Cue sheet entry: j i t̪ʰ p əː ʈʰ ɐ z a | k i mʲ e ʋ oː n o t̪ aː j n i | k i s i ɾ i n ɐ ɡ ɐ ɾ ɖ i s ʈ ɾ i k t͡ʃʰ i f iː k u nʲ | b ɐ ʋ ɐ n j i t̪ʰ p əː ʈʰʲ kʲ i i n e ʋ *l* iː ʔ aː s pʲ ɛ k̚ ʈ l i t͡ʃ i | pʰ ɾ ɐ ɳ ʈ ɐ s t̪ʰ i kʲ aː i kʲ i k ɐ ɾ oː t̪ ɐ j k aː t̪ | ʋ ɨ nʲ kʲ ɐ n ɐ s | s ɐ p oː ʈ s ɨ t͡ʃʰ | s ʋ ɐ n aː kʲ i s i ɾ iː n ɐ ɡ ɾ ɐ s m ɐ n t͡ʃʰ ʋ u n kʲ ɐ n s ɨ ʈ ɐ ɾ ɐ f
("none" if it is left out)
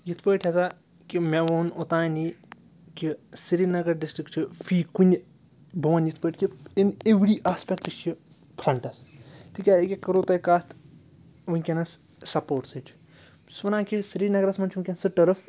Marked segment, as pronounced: ɾ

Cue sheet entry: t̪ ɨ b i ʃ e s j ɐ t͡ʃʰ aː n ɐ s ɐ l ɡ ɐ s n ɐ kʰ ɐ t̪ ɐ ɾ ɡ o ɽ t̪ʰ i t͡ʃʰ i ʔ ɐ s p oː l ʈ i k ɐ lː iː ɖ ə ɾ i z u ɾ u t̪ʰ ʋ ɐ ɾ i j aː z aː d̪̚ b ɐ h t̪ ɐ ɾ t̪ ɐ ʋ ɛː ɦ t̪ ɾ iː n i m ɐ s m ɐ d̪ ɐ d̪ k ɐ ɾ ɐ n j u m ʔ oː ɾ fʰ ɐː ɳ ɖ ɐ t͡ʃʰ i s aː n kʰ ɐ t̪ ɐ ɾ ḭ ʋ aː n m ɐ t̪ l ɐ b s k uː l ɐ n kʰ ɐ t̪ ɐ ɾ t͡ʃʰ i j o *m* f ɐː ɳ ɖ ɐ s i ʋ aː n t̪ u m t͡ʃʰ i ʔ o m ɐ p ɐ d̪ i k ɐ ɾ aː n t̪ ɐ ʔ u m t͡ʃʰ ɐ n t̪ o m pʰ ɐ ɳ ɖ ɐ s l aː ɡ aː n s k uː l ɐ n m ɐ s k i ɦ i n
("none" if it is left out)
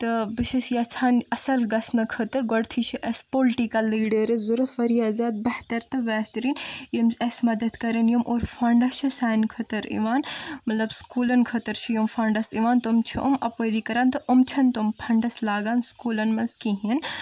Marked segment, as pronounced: m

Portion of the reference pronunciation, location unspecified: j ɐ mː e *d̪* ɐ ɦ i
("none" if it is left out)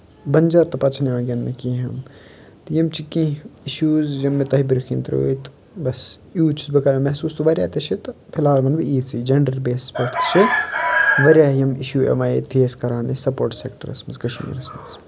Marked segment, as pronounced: t̪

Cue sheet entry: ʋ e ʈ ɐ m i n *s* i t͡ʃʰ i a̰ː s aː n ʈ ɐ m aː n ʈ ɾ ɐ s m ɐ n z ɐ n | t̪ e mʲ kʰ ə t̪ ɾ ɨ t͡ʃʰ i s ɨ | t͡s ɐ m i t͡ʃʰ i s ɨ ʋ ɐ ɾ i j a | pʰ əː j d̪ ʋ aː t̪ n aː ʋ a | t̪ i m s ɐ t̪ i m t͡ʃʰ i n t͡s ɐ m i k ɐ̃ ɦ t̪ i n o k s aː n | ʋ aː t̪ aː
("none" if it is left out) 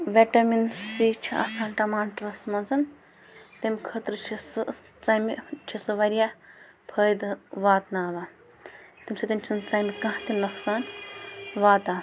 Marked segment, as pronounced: s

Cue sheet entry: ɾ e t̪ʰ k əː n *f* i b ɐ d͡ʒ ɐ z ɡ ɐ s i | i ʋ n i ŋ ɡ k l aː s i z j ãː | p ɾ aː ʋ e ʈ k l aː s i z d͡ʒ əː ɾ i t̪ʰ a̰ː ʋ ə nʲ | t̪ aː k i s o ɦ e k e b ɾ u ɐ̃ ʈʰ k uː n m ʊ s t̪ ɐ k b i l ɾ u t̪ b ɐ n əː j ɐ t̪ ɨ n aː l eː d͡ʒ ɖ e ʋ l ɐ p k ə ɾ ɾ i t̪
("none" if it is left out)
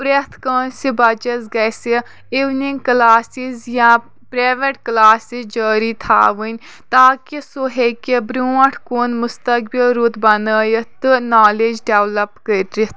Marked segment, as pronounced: s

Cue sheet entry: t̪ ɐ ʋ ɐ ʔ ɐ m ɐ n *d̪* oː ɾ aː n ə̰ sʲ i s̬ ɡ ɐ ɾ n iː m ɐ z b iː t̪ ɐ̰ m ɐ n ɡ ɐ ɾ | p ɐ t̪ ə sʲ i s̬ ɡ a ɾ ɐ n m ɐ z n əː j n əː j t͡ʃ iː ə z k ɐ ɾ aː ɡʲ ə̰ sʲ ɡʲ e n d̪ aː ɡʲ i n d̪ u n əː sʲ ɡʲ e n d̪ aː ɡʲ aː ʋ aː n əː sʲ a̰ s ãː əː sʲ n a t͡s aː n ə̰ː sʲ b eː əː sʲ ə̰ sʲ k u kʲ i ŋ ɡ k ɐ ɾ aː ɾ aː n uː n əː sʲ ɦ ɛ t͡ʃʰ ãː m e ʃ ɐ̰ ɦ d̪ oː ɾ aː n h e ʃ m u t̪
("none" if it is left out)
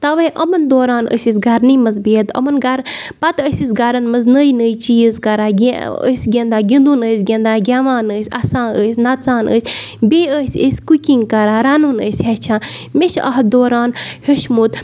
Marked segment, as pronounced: d̪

